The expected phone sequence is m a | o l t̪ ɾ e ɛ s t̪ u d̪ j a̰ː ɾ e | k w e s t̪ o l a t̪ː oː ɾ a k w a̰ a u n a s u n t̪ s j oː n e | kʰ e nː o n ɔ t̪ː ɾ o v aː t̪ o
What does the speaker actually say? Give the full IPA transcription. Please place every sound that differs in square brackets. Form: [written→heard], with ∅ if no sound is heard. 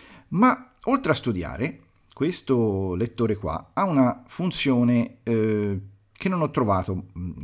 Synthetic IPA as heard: m a | o l t̪ ɾ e [ɛ→a] s t̪ u d̪ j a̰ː ɾ e | k w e s t̪ o l [a→e] t̪ː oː ɾ [a→e] k w a̰ a u n a [s→f] u n t̪ s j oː n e | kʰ e nː o n ɔ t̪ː ɾ o v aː t̪ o